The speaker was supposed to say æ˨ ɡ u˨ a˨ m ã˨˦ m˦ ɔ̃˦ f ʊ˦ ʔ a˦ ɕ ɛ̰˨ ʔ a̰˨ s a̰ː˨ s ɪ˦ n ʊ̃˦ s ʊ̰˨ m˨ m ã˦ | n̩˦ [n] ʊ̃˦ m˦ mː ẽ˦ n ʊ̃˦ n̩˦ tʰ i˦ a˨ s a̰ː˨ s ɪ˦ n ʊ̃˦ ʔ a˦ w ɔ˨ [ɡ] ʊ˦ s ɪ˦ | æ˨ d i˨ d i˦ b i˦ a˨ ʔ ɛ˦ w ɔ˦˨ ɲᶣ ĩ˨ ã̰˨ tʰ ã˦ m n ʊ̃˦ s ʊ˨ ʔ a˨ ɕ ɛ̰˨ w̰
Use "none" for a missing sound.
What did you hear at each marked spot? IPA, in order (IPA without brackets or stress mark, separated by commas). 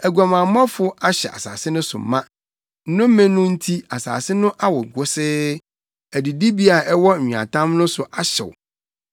n, ɡ